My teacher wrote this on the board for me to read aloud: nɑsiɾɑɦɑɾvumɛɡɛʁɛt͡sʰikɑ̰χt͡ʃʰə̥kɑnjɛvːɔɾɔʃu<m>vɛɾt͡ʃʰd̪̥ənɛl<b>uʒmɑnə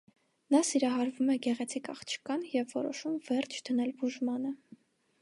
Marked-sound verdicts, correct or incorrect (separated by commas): correct, correct